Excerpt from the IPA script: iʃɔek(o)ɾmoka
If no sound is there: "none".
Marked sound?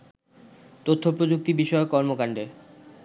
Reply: ɔ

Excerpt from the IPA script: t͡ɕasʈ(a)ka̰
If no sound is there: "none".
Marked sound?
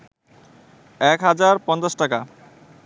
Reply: a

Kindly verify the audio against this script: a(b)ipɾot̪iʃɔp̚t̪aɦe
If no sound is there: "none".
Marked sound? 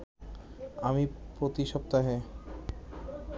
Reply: m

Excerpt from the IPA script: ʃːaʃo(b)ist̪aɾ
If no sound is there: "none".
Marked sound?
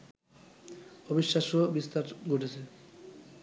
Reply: b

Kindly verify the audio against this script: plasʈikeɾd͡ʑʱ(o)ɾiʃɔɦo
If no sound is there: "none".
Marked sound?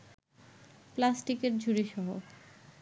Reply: u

